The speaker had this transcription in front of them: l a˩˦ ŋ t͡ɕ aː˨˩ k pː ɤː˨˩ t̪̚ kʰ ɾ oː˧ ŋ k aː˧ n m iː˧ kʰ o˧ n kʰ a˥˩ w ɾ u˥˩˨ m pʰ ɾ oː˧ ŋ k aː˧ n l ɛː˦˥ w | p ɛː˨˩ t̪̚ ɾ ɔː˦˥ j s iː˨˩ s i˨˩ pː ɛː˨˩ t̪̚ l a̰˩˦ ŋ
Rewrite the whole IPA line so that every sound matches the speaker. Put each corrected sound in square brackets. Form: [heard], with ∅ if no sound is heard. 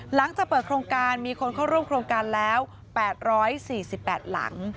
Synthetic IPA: l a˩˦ ŋ t͡ɕ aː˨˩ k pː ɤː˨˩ t̪̚ kʰ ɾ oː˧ ŋ k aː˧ n m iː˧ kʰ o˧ n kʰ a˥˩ w ɾ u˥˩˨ m [kʰ] ɾ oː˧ ŋ k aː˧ n l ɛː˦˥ w | p ɛː˨˩ t̪̚ ɾ ɔː˦˥ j s iː˨˩ s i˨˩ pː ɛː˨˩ t̪̚ l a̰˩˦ ŋ